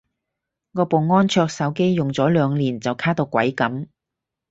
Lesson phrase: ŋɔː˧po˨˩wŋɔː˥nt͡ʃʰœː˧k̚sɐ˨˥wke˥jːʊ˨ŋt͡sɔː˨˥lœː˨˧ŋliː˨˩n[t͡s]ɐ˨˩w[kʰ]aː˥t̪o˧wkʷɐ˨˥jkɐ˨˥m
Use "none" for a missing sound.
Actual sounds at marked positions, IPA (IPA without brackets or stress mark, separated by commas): t͡s, kʰ